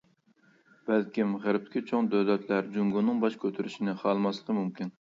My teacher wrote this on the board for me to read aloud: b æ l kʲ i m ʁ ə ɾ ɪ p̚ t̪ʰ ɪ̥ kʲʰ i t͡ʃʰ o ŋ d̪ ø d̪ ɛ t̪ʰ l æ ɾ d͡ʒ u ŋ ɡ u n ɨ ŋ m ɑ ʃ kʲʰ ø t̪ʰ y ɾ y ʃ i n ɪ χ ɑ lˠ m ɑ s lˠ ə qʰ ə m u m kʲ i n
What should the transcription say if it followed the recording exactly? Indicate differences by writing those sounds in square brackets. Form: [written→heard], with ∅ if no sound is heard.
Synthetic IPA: b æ l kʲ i m ʁ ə ɾ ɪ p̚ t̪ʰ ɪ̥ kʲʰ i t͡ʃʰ o ŋ d̪ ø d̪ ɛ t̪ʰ l æ ɾ d͡ʒ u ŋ ɡ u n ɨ ŋ [m→b] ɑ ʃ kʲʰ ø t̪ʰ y ɾ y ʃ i n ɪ χ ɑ lˠ m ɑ s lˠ ə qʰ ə m u m kʲ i n